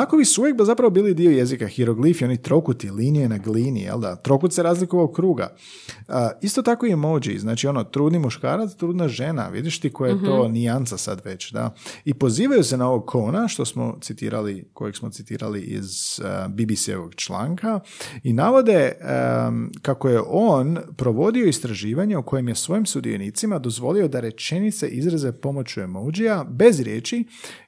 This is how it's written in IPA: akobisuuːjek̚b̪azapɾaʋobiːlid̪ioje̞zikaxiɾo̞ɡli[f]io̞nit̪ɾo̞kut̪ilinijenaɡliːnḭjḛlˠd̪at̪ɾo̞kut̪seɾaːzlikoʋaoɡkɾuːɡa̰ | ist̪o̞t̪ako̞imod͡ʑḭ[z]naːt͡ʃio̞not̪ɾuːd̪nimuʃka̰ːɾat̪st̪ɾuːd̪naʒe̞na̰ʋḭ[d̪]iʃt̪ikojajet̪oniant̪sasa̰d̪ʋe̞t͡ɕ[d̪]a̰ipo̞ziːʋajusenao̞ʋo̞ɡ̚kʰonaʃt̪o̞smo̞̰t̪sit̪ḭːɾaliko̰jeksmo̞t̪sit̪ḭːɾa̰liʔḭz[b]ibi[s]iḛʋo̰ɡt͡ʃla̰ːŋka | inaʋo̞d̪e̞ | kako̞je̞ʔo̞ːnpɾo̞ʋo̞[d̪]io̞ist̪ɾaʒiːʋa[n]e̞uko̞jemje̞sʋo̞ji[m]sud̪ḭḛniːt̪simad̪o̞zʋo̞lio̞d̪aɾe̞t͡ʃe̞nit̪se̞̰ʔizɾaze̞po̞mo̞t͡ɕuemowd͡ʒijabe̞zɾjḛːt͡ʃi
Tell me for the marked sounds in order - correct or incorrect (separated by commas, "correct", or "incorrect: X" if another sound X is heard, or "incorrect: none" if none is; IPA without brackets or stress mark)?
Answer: correct, correct, correct, correct, correct, correct, correct, incorrect: ɲ, correct